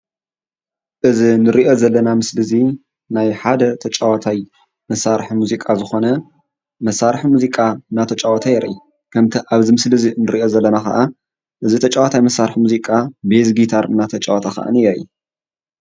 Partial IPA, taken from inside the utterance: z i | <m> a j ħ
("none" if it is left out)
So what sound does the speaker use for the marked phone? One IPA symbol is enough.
n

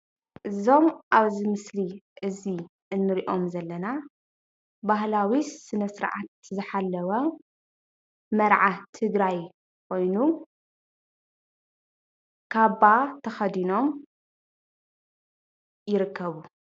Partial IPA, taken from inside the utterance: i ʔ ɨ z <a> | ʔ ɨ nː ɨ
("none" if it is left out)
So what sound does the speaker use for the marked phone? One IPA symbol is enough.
i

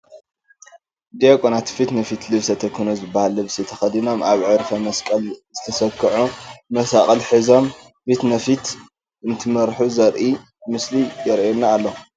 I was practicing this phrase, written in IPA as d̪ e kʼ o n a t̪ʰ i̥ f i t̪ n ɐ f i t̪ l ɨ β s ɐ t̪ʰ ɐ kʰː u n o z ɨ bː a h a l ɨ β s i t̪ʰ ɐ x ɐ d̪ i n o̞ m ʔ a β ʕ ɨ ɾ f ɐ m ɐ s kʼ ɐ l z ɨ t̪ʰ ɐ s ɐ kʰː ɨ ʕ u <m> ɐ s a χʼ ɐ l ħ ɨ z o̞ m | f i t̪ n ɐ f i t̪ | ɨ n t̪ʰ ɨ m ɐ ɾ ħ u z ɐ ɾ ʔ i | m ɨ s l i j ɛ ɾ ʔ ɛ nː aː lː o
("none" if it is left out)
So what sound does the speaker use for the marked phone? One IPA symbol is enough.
m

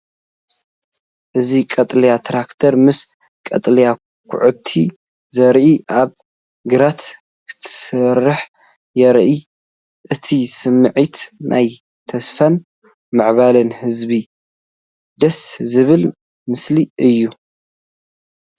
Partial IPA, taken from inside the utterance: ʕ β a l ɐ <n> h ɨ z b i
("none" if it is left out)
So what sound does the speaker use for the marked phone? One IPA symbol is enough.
n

